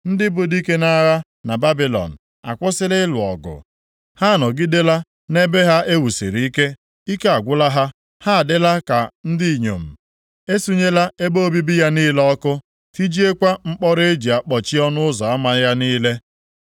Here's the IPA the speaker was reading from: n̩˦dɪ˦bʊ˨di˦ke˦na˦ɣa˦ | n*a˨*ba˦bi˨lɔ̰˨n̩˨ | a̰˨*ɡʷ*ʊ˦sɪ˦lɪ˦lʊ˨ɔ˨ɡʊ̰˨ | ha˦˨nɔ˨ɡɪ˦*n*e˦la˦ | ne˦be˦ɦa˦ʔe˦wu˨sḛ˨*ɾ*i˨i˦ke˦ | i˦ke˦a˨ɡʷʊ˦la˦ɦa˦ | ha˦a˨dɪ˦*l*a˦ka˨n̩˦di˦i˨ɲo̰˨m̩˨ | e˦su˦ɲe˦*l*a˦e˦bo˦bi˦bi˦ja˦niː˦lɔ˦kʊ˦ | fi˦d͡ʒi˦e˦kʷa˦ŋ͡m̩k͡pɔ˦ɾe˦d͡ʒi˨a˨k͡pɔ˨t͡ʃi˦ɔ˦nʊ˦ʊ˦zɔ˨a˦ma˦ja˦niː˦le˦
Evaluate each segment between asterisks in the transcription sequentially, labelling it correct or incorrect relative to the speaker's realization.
correct, incorrect: kʷ, incorrect: d, correct, correct, correct

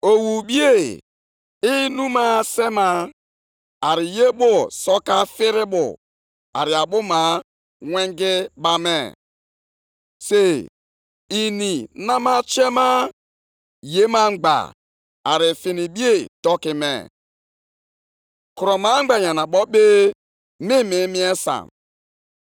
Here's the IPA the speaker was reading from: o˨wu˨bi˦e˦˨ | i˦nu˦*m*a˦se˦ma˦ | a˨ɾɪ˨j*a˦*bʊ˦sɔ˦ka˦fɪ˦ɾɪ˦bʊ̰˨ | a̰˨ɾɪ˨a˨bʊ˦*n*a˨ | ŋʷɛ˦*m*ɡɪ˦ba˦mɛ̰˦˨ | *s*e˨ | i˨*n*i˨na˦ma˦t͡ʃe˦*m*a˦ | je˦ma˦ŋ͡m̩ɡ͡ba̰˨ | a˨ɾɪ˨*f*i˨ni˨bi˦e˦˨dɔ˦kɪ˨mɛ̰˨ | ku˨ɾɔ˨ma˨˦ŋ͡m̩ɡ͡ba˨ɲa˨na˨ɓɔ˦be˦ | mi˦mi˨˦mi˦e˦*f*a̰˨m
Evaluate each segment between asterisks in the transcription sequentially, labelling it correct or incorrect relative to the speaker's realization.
correct, incorrect: e˦, incorrect: m, incorrect: ŋ, correct, correct, correct, correct, incorrect: s

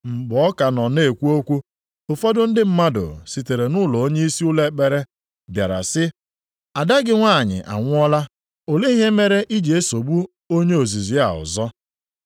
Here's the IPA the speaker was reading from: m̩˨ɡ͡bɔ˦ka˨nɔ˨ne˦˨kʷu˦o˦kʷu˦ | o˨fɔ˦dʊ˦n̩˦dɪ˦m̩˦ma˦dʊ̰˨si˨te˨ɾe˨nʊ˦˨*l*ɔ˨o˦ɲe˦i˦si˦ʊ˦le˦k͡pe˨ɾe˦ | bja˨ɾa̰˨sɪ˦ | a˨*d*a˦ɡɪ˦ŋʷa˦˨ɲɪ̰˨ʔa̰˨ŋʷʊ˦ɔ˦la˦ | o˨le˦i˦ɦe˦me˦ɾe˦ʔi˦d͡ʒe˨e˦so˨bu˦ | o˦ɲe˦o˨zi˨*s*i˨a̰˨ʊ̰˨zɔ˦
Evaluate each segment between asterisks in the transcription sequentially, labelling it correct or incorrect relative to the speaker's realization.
correct, correct, incorrect: z

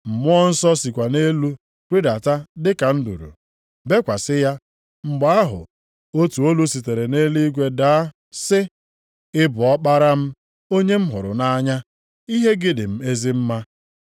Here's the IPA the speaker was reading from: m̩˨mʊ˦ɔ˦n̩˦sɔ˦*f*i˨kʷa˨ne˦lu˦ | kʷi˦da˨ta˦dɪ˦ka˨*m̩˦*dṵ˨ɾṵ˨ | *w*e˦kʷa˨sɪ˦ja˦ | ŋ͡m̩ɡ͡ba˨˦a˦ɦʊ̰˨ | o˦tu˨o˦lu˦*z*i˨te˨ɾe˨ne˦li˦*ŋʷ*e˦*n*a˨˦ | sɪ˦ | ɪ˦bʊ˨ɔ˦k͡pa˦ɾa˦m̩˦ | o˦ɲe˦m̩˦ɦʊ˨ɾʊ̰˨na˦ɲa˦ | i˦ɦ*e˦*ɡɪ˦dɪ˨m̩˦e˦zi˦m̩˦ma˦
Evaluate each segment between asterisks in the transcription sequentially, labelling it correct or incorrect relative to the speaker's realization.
incorrect: s, incorrect: n̩˦, incorrect: b, incorrect: s, incorrect: ɡʷ, incorrect: d, correct

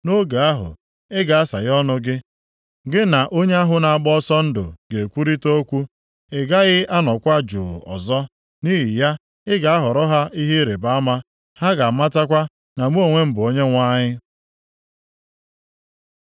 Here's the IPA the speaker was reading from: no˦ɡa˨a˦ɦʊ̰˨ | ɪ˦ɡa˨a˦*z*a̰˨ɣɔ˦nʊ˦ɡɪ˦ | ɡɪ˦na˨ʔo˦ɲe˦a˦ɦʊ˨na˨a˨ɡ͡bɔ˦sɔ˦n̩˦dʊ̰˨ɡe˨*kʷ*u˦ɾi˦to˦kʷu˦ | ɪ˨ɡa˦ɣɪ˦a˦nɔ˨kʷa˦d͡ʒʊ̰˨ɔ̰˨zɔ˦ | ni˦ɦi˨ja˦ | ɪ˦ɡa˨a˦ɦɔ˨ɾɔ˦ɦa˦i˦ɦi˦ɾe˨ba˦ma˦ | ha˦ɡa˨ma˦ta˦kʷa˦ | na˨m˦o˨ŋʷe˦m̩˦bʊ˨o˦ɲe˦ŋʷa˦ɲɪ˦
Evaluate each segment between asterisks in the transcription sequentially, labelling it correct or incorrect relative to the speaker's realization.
incorrect: s, correct

